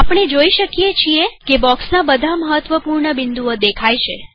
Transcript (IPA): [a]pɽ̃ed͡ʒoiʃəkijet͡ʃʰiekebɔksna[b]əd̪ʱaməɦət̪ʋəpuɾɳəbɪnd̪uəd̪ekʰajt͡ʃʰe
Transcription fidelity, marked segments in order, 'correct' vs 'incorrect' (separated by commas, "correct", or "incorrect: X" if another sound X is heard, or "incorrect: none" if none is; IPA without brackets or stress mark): correct, correct